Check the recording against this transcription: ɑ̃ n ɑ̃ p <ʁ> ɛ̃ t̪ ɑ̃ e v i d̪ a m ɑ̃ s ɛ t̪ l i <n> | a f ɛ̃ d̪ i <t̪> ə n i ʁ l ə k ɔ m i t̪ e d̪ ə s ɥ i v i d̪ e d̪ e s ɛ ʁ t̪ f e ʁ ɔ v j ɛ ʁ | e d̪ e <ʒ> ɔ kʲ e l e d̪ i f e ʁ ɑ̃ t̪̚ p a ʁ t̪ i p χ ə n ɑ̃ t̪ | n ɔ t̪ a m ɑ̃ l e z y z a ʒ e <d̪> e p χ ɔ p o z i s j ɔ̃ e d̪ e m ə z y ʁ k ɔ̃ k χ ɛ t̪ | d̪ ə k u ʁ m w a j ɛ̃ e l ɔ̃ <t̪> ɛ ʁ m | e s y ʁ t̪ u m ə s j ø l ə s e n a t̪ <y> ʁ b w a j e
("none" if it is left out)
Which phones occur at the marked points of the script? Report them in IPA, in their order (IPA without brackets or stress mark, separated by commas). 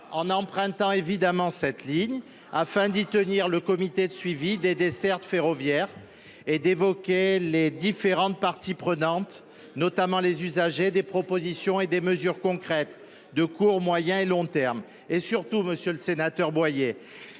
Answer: χ, ɲ, t̪, v, d̪, t̪, œ